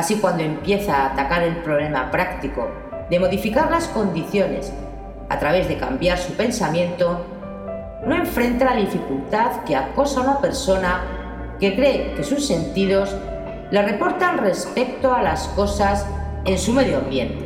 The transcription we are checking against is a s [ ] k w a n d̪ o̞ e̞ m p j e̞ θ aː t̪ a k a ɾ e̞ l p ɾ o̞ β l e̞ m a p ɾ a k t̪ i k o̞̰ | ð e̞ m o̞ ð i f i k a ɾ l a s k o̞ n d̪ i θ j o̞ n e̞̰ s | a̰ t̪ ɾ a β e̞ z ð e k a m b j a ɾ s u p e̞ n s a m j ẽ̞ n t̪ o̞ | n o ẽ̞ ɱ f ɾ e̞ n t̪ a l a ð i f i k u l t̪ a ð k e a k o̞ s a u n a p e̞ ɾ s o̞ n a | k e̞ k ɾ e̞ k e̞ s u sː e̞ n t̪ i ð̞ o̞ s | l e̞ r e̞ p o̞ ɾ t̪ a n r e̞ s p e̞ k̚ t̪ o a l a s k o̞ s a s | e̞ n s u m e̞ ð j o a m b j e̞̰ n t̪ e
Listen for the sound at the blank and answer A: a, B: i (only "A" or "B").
B